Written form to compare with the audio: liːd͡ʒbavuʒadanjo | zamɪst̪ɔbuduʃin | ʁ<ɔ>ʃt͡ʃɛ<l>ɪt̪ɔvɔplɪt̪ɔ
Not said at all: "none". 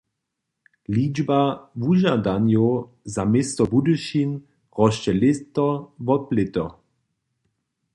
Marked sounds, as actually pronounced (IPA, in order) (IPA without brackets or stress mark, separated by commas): ɔ, l